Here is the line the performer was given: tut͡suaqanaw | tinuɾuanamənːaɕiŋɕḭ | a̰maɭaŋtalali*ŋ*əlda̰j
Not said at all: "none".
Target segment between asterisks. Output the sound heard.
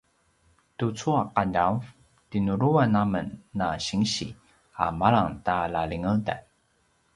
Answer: ŋ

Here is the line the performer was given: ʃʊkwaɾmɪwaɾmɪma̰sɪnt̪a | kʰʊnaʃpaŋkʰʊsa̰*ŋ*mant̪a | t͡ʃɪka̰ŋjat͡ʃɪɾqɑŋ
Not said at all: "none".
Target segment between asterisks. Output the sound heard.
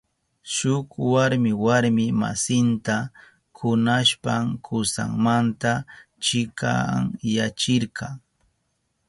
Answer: ŋ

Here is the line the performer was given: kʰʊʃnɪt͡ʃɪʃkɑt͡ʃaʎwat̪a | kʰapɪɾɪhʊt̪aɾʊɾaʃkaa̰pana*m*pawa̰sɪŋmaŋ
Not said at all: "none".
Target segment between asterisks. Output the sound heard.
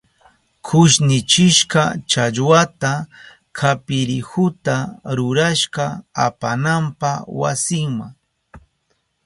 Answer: m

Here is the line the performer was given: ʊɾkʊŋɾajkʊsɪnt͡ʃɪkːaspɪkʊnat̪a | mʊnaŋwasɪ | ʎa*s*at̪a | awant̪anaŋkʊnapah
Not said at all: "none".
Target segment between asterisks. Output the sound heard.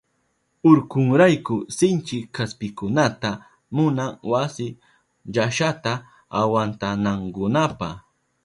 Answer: ʃ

